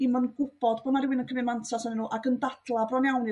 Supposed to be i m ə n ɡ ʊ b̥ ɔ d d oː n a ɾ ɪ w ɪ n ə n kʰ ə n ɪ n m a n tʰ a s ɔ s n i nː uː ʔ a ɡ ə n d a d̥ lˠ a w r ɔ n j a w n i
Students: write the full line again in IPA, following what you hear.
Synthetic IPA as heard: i m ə n ɡ ʊ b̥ ɔ d b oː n a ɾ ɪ w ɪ n ə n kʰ ə m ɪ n m a n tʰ a s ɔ n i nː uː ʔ a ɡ ə n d a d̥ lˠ a b r ɔ n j a w n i